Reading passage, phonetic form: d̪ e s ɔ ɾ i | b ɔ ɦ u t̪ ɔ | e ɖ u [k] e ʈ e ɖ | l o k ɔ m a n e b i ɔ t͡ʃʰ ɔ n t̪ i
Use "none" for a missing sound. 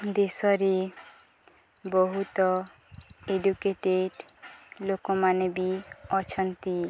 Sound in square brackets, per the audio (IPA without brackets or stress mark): k